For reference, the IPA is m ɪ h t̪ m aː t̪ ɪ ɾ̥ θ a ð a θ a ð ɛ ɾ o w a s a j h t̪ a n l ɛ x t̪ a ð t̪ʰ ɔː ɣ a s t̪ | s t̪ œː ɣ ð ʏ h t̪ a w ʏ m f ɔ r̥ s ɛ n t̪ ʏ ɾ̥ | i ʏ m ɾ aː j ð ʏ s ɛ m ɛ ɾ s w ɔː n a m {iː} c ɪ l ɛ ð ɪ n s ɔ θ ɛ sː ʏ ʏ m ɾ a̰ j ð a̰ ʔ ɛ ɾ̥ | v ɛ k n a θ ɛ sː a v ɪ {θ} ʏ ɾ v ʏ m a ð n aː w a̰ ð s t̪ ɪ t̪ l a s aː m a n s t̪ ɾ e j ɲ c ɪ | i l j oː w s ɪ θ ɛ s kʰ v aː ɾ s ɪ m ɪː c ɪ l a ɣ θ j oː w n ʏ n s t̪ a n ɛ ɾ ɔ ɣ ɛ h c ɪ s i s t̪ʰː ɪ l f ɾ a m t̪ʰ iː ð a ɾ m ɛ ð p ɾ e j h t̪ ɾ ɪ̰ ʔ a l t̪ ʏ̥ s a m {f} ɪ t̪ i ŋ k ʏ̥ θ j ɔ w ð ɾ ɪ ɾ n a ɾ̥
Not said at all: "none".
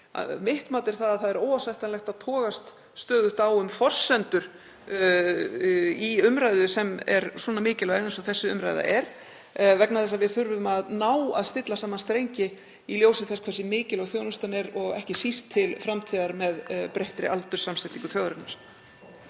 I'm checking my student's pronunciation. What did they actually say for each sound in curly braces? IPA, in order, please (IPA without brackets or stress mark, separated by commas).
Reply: ɪː, θ, s